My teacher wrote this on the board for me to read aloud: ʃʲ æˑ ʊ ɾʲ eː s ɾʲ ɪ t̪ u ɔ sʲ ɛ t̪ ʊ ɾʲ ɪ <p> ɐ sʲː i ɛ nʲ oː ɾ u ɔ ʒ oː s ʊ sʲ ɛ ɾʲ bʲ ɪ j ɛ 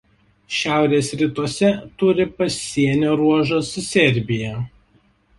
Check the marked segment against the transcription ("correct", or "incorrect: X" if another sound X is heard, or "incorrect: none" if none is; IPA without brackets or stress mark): correct